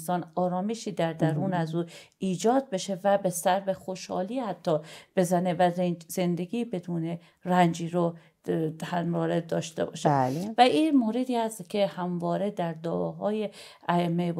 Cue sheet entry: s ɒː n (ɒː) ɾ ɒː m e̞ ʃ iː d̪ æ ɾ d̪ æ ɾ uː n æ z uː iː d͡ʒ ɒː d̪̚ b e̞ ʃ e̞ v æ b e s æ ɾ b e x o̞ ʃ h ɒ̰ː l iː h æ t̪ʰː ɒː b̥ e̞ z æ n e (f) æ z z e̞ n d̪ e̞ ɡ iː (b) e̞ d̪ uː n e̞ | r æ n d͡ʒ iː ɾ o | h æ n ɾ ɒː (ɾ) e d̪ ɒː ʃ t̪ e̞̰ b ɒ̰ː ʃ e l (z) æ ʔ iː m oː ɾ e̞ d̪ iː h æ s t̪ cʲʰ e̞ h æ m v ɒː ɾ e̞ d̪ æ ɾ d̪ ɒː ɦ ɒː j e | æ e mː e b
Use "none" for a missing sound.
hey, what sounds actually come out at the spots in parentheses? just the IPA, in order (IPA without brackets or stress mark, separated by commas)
ɒː, v, b, ɾ, v